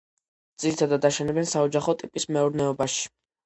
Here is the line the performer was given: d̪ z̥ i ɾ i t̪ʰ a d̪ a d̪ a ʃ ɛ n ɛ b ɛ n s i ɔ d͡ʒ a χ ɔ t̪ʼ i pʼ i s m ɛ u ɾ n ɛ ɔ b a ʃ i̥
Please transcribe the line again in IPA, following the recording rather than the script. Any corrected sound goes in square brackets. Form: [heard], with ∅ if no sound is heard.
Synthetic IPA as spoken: d̪ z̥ i ɾ i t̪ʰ a d̪ a d̪ a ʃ ɛ n ɛ b ɛ n s [a] ɔ d͡ʒ a χ ɔ t̪ʼ i pʼ i s m ɛ u ɾ n ɛ ɔ b a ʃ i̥